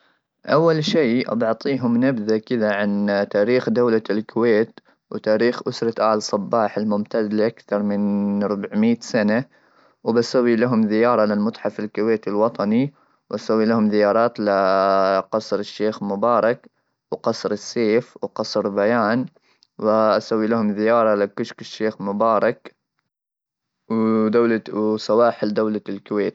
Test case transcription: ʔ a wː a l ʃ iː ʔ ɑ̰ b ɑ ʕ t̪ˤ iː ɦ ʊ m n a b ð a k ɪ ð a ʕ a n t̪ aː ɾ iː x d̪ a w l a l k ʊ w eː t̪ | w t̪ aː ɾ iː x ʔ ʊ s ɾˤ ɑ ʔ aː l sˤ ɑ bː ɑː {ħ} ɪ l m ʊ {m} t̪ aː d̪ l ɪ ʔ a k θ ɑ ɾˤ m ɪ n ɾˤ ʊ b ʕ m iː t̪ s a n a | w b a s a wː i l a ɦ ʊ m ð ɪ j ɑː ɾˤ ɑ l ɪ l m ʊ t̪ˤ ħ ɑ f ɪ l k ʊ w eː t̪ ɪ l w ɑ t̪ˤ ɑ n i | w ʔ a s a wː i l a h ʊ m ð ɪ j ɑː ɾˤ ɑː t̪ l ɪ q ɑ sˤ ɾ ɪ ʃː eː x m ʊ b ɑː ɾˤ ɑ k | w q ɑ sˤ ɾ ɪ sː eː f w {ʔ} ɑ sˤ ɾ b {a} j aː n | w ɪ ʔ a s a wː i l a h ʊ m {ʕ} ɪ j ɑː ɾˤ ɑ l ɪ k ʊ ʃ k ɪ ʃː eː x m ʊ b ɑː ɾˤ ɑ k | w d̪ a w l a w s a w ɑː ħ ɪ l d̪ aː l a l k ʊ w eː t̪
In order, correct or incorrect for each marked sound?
correct, correct, incorrect: q, correct, incorrect: ð

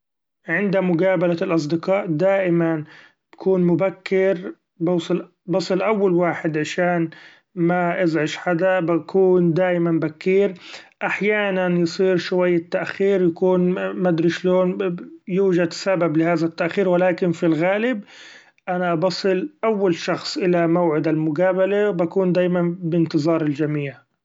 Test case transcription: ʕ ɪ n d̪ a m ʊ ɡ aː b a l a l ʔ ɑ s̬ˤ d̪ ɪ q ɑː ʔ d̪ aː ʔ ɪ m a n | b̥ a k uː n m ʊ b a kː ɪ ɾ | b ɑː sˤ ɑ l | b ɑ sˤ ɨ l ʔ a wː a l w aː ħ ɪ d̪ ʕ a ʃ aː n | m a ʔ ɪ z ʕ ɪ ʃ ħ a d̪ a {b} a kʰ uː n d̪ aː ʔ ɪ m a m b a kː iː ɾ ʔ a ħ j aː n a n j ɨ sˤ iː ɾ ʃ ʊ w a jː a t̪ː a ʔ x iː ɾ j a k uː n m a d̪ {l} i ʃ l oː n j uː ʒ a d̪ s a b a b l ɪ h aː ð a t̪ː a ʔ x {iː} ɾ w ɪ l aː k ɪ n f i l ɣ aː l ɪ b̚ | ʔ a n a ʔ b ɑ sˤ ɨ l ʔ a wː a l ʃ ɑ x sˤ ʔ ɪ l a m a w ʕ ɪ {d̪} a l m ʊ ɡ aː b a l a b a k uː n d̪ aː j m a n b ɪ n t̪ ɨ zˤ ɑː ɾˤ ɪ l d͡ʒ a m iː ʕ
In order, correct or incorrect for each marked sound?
correct, incorrect: ɾ, correct, correct

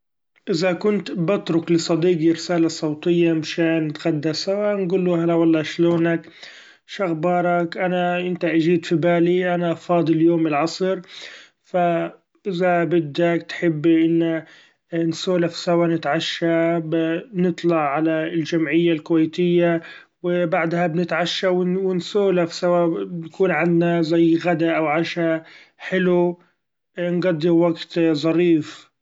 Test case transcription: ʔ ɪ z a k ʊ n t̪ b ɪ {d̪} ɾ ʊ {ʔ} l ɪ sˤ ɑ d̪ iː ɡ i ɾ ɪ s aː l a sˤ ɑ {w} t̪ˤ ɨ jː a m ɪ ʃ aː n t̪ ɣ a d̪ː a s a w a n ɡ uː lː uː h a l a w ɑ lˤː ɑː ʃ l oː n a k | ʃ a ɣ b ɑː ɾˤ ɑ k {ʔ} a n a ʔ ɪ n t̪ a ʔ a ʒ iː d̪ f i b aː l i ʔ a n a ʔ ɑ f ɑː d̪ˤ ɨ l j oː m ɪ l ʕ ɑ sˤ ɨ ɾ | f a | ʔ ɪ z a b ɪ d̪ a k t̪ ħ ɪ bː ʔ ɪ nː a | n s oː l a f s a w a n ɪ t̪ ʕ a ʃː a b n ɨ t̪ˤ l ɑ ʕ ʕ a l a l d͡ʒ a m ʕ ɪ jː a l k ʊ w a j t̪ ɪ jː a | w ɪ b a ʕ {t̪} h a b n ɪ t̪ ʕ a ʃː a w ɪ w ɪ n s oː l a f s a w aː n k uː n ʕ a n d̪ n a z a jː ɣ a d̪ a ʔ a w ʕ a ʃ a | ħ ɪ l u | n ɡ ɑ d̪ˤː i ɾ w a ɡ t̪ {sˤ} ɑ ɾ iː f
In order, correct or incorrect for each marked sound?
incorrect: t̪, incorrect: k, correct, correct, incorrect: d̪, incorrect: zˤ

